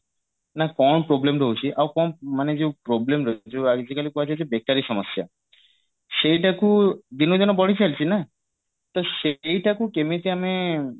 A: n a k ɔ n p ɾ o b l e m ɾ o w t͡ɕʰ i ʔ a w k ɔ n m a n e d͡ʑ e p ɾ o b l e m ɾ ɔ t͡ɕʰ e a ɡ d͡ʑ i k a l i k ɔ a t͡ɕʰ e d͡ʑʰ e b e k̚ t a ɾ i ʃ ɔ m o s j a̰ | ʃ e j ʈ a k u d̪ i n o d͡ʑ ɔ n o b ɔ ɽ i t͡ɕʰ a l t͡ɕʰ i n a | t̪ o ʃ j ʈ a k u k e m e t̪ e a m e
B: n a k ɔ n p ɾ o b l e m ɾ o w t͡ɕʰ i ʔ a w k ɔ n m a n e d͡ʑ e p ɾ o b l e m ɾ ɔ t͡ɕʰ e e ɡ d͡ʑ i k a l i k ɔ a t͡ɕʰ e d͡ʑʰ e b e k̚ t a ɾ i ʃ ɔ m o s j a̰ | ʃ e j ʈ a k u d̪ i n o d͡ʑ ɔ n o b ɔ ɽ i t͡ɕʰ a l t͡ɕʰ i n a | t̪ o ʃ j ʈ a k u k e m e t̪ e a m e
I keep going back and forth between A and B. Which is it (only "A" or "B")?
A